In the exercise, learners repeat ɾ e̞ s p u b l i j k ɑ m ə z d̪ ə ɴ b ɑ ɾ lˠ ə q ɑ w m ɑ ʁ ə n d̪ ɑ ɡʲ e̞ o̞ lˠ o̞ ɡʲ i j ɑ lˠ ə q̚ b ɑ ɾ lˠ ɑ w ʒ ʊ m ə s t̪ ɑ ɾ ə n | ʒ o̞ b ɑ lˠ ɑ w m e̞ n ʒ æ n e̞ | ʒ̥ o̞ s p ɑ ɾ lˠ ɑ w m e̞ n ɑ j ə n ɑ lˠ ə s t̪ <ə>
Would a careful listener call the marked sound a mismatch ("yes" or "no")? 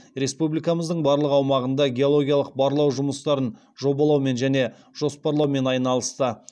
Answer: no